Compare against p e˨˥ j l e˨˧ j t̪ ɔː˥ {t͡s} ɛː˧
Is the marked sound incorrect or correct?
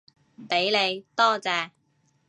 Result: correct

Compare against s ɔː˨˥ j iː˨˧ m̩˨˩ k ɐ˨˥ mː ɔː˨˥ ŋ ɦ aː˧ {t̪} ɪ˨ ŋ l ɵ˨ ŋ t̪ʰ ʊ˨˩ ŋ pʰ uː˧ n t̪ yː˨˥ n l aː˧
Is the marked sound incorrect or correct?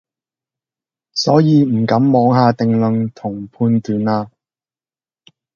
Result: correct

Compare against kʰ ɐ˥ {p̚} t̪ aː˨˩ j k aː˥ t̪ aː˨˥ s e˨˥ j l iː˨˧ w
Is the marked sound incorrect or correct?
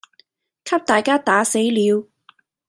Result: correct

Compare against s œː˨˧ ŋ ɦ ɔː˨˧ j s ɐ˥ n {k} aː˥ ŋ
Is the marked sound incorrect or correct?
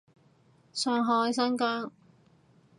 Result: correct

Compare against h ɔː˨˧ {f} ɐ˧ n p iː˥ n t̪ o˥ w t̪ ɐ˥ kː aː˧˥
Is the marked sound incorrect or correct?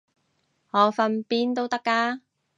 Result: correct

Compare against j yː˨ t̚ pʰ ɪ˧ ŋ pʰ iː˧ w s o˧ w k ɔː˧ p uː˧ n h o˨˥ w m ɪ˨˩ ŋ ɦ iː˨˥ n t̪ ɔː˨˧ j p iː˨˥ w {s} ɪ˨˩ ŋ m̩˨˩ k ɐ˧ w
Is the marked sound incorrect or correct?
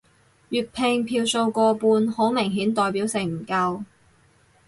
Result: correct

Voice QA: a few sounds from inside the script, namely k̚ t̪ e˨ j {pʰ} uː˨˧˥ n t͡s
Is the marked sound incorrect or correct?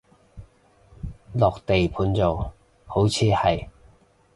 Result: correct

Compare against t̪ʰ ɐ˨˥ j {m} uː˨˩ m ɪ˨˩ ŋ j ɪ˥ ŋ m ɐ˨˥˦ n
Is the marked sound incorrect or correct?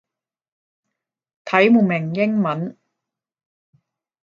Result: correct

